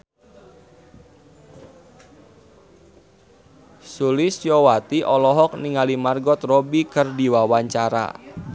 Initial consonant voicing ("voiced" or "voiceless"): voiceless